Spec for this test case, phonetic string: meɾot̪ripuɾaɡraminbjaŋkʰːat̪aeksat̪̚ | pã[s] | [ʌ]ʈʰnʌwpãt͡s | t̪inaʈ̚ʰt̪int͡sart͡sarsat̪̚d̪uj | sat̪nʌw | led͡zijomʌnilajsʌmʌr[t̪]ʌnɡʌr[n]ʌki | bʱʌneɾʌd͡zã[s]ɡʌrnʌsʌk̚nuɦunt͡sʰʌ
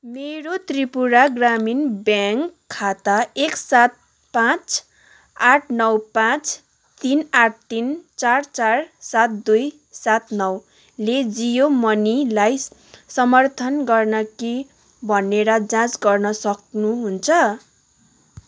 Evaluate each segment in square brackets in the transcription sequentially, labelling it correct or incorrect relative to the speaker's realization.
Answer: incorrect: t͡s, incorrect: a, incorrect: t̪ʰ, correct, incorrect: t͡s

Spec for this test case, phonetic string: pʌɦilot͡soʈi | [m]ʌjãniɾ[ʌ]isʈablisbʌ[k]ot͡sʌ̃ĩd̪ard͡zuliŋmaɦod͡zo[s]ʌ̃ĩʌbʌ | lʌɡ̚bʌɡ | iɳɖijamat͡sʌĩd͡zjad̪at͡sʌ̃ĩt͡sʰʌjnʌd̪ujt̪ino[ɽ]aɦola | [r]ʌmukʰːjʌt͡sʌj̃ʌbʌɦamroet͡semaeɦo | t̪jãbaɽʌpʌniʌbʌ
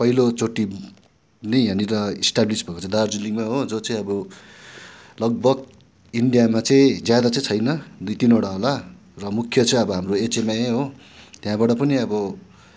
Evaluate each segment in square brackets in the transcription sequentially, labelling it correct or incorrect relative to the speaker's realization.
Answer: incorrect: n, correct, correct, incorrect: t͡s, correct, correct

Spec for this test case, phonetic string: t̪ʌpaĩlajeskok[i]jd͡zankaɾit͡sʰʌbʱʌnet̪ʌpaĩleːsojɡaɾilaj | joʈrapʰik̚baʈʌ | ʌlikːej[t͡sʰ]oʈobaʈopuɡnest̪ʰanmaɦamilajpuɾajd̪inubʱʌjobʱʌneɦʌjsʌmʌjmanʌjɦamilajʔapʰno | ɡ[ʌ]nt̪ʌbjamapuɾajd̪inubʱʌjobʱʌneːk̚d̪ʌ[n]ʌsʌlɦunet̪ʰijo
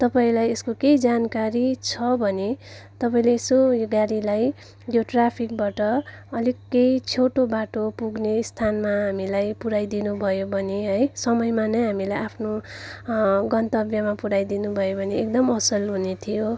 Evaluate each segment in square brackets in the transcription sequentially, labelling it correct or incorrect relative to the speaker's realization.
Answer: incorrect: e, correct, correct, incorrect: m

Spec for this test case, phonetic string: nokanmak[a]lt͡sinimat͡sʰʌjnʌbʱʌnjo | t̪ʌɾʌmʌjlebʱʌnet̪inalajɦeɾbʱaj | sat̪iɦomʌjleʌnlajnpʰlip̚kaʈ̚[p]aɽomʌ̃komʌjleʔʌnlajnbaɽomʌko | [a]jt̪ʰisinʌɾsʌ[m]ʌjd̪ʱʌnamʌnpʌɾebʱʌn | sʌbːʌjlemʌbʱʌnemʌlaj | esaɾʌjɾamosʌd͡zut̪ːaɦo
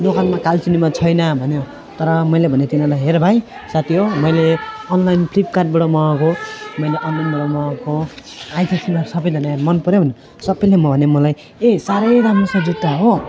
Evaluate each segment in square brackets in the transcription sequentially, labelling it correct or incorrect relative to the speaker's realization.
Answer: correct, incorrect: b, correct, incorrect: b

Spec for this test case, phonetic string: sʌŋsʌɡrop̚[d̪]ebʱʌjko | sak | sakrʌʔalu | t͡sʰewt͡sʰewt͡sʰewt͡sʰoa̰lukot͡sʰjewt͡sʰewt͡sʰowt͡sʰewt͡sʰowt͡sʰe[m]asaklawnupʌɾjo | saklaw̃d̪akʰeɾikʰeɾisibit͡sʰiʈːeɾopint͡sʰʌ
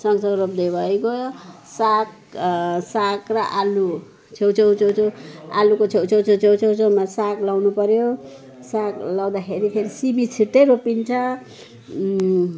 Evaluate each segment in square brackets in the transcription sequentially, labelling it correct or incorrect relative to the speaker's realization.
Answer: correct, correct

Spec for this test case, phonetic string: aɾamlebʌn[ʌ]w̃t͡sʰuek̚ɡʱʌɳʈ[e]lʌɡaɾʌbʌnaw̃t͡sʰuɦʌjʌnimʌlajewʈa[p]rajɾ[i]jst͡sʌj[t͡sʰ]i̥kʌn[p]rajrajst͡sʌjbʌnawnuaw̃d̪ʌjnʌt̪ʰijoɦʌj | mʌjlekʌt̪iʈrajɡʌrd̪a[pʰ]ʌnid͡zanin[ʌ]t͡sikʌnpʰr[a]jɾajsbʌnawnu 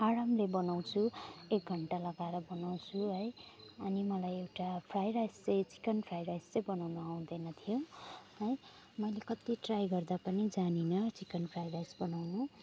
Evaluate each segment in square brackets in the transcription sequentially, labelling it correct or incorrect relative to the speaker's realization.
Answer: incorrect: a, incorrect: a, incorrect: pʰ, incorrect: a, incorrect: t͡s, incorrect: pʰ, incorrect: p, correct, correct

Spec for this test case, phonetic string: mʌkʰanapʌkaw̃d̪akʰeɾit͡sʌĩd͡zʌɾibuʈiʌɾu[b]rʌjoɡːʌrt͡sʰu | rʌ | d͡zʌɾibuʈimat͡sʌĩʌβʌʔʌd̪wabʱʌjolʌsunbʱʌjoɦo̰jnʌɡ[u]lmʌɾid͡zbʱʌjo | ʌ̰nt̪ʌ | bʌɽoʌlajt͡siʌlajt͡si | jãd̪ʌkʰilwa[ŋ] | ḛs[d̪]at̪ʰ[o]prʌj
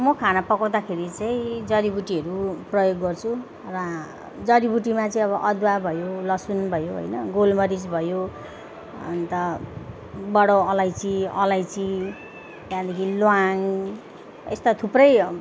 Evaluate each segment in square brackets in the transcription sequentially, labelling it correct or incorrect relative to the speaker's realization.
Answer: incorrect: p, incorrect: o, correct, incorrect: t̪, incorrect: u

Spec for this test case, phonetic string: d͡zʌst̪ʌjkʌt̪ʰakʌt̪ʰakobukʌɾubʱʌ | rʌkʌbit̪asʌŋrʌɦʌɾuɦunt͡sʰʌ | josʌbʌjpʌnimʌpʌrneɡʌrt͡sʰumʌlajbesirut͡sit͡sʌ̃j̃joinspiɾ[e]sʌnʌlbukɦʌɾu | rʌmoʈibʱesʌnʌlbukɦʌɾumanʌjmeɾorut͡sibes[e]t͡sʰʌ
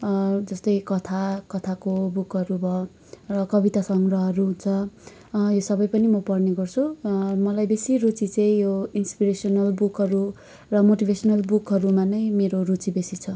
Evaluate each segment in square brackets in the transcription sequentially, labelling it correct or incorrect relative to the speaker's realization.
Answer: correct, incorrect: i

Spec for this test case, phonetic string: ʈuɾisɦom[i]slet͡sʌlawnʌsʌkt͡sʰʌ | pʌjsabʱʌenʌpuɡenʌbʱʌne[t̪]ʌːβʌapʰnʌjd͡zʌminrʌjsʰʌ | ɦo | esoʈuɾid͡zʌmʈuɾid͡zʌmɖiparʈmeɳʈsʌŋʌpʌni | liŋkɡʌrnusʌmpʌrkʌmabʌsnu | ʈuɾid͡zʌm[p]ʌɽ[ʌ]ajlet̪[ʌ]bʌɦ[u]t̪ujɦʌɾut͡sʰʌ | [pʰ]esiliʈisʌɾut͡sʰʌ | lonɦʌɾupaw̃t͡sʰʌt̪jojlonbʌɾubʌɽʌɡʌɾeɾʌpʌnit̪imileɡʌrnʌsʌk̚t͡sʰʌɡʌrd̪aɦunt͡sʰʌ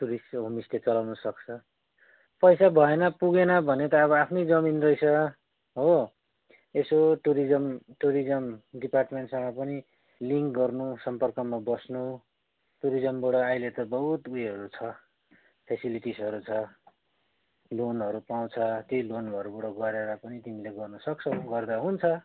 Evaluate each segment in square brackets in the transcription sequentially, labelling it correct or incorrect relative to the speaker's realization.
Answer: correct, correct, incorrect: b, correct, correct, correct, correct

